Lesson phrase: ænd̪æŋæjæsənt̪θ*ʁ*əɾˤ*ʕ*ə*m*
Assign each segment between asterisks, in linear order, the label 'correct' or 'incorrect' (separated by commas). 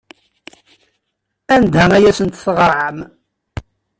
correct, correct, correct